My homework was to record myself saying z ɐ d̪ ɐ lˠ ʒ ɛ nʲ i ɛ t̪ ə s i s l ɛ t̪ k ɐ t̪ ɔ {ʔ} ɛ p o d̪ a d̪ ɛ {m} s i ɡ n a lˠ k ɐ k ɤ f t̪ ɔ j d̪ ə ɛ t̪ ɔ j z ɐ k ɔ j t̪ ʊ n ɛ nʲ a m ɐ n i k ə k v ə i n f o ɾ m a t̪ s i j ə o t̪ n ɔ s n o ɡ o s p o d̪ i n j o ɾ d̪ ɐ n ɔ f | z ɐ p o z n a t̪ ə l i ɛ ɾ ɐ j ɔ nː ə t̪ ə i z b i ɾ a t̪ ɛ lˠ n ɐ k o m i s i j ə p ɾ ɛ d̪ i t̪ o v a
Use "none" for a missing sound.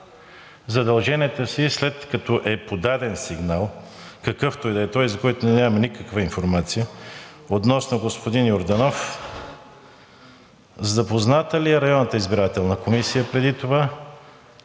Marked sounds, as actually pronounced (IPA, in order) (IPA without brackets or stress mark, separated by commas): ʔ, n